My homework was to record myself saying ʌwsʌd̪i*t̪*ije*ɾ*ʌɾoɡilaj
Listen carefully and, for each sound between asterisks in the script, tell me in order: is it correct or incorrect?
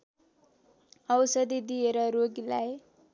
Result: incorrect: d̪, correct

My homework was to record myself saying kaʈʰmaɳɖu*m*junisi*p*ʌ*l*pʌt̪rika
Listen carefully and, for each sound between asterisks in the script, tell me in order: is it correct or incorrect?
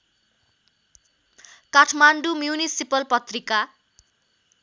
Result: correct, correct, correct

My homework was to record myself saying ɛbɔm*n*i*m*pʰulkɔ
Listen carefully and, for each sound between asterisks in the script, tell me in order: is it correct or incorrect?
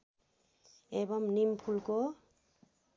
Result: correct, correct

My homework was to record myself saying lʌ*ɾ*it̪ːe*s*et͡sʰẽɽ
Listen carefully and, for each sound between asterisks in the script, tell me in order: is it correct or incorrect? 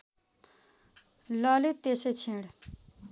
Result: incorrect: l, correct

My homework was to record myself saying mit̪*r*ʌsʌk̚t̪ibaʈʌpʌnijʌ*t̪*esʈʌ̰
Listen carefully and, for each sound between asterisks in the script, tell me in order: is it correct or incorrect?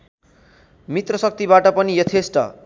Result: correct, incorrect: t̪ʰ

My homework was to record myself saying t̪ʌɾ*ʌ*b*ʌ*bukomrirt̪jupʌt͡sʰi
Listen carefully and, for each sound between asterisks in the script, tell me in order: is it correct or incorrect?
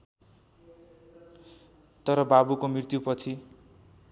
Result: correct, incorrect: a

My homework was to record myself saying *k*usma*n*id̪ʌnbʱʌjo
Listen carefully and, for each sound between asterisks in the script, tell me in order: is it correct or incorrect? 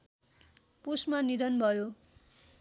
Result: incorrect: p, correct

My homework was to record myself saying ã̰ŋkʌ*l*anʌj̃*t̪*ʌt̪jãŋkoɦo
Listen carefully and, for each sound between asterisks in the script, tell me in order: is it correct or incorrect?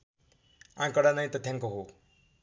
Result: incorrect: ɽ, correct

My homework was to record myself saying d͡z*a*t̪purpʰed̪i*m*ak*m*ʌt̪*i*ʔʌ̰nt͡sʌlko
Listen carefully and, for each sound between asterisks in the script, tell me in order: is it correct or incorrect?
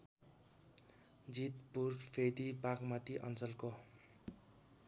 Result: incorrect: i, incorrect: b, correct, correct

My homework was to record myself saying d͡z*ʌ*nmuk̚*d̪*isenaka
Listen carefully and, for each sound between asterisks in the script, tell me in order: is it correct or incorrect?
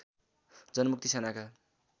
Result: correct, incorrect: t̪

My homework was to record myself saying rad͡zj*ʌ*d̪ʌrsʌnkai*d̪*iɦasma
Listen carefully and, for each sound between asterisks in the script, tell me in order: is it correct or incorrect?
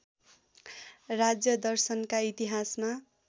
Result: correct, incorrect: t̪

